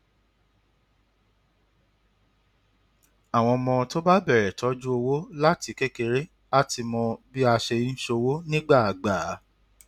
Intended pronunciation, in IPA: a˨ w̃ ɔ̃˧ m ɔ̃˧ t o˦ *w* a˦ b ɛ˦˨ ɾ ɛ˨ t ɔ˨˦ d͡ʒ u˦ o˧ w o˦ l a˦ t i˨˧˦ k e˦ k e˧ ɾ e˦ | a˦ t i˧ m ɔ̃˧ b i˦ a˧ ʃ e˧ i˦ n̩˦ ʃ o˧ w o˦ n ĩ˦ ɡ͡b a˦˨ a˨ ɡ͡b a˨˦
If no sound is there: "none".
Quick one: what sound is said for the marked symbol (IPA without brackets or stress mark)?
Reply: b